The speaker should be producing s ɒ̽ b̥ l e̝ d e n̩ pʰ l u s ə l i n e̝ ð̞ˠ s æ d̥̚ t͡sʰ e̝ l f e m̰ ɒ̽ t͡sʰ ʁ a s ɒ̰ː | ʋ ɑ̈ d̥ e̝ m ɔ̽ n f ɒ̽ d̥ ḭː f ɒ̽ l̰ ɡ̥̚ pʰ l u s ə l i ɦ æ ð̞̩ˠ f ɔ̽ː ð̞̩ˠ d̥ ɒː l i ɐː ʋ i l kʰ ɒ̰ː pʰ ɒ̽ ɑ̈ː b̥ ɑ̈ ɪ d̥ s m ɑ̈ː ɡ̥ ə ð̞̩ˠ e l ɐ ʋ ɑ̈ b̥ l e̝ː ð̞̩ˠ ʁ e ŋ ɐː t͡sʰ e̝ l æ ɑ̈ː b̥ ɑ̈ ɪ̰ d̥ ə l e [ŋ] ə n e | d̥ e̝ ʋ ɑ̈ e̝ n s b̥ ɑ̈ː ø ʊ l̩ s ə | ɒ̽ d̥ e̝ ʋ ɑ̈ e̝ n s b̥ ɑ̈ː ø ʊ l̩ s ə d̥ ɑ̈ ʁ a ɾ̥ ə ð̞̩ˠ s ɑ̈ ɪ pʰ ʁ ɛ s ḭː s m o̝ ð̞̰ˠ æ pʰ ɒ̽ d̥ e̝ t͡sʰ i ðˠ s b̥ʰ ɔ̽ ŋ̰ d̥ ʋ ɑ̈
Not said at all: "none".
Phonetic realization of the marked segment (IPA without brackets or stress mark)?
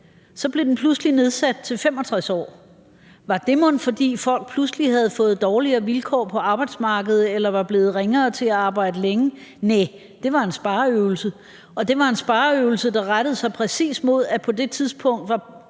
ŋ